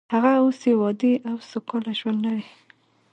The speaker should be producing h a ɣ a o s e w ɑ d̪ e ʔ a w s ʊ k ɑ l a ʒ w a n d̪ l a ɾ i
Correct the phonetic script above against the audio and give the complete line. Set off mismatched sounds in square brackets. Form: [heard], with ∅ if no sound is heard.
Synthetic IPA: h a ɣ a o s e w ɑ d̪ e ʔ a w s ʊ k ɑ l a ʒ w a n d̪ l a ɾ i